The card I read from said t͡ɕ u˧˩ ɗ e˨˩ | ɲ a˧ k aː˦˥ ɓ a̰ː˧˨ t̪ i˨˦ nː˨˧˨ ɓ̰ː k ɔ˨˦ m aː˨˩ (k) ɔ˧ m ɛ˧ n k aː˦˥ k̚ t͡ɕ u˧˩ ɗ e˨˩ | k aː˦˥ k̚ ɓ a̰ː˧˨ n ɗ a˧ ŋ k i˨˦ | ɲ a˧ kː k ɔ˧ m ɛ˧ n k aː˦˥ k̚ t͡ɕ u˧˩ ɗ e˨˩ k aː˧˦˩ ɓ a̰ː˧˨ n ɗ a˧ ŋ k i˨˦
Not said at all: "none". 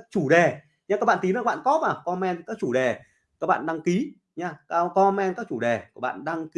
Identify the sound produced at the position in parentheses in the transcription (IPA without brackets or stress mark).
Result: k